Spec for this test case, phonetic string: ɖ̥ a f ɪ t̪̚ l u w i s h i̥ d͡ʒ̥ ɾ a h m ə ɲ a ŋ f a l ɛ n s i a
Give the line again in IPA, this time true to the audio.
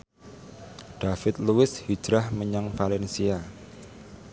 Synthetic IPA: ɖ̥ a f ɪ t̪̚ l u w ɪ s h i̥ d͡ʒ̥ ɾ a h m ə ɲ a ŋ f a l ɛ n s i a

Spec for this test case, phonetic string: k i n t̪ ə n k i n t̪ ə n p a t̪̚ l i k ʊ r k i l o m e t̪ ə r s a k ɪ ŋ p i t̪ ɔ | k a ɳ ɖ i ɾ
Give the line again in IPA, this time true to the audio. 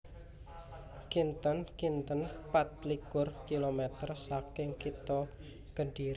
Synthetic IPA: k i n t̪ ə n k i n t̪ ə n p a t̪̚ l i k ʊ r k i l o m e t̪ ə r s a k ɪ ŋ k i t̪ ɔ | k ə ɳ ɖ i ɾ

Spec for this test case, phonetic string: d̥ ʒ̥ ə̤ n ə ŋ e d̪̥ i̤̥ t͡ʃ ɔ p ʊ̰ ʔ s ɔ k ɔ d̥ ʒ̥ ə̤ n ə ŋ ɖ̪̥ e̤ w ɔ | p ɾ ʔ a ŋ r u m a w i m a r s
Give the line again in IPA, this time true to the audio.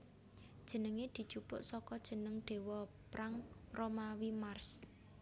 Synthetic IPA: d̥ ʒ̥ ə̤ n ə ŋ e d̪̥ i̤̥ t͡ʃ u p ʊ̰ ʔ s ɔ k ɔ d̥ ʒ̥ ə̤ n ə ŋ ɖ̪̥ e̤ w ɔ | p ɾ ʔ a ŋ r o m a w i m a r s

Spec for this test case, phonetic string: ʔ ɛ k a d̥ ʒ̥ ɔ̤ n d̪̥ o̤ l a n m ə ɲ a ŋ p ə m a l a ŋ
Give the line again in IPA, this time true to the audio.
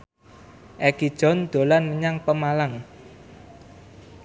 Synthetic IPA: ʔ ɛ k i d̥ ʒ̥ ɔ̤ n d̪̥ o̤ l a n m ə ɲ a ŋ p ə m a l a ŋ

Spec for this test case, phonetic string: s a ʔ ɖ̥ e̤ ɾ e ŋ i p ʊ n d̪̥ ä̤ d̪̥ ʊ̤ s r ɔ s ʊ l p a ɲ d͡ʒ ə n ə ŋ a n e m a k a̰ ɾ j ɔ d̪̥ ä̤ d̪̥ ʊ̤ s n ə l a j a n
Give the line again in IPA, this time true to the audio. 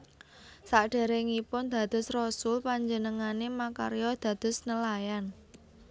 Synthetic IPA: s a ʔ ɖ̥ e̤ ɾ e ŋ i p ʊ n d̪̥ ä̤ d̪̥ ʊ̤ s r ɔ s ʊ l p a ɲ d͡ʒ ə n ə ŋ a n e m a k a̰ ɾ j ɔ d̪̥ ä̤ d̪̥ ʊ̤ s n ə l a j a n

